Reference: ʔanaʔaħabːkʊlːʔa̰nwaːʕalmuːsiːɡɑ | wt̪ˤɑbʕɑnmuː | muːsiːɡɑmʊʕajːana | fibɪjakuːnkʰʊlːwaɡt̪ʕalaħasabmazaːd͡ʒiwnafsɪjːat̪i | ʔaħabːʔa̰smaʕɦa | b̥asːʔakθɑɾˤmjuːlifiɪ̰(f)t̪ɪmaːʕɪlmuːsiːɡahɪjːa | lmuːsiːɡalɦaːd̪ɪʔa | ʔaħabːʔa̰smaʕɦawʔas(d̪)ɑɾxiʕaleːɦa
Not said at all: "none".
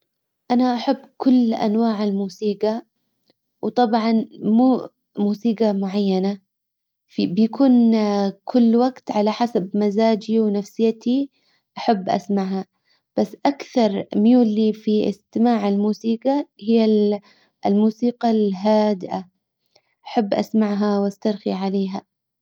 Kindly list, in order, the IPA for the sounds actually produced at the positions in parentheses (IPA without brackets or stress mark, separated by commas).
s, t̪